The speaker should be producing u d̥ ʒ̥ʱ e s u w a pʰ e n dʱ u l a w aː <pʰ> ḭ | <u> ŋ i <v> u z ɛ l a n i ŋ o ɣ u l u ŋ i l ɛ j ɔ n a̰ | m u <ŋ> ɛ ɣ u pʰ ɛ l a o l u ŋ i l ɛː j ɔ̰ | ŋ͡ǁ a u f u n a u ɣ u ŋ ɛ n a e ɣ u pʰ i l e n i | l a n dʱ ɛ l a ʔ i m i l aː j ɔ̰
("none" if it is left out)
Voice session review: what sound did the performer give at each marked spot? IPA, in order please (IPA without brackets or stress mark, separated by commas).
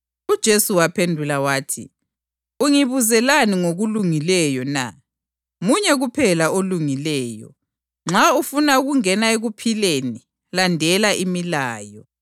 tʰ, u, β, ɲ